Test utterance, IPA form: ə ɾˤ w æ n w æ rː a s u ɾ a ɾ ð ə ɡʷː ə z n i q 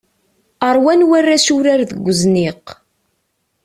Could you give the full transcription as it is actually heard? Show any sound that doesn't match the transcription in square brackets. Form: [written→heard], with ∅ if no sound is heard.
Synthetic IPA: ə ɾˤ w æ n w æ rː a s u ɾ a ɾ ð ə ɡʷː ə z n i q